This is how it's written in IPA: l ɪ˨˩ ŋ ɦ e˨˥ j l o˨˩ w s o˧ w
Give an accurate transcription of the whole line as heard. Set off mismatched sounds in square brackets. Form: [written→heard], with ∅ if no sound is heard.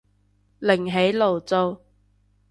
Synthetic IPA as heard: l ɪ˨˩ ŋ ɦ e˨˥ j l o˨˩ w [s→t͡s] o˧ w